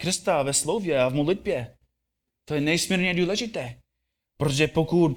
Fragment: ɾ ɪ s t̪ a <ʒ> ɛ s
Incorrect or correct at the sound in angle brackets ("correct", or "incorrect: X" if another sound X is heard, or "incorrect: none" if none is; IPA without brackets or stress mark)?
incorrect: v